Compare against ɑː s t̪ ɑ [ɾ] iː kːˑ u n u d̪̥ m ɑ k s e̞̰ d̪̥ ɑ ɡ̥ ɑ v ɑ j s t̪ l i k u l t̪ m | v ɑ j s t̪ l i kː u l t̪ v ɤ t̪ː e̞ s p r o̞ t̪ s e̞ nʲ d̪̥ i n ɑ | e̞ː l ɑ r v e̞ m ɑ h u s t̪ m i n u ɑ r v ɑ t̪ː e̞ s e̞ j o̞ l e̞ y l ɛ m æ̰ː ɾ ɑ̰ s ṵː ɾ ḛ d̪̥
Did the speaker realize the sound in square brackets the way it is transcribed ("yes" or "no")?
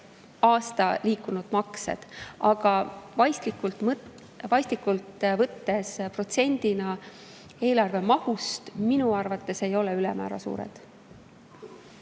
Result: no